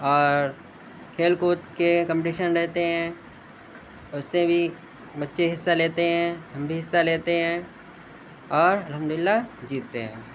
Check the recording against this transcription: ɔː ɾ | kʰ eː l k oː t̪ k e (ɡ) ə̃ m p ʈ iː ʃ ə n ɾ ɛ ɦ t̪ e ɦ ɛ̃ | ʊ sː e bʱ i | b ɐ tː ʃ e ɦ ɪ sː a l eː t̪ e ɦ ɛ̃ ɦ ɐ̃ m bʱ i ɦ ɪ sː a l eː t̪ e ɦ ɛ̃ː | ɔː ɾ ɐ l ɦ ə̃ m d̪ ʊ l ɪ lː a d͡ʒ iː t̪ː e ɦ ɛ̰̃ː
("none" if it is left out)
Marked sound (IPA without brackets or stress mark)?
k